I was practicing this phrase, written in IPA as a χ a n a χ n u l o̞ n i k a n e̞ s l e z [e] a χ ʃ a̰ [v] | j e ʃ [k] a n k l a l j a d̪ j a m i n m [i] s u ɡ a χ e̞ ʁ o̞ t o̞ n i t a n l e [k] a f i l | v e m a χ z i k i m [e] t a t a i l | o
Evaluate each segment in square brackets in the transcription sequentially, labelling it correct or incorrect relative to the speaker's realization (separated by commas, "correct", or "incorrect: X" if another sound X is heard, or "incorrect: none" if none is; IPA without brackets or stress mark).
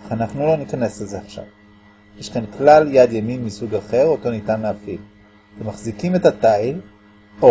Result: correct, correct, correct, correct, incorrect: none, correct